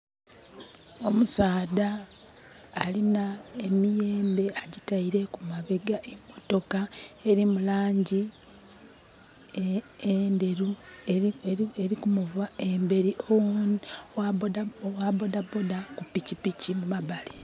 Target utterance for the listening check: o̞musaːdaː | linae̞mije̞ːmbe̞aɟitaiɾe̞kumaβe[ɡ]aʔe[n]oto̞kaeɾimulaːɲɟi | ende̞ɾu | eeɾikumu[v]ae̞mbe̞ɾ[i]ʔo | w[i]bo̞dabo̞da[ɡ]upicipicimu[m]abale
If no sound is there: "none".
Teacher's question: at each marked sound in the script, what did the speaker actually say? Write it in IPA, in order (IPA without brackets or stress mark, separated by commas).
ɡ, m, v, i, a, k, m